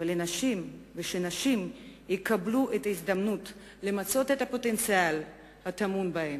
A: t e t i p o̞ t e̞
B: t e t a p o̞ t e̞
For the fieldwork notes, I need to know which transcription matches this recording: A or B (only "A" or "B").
B